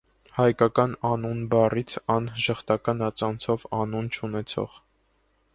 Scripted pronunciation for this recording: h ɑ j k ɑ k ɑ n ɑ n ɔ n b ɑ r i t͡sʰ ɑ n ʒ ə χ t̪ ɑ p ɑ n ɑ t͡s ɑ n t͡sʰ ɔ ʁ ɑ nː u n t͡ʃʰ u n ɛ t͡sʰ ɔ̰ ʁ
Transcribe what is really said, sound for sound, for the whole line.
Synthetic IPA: h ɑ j k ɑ k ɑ n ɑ n u n b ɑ r i t͡sʰ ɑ n ʒ ə χ t̪ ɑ k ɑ n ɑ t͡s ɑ n t͡sʰ ɔ v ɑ n u n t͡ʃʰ u n ɛ t͡sʰ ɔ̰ ʁ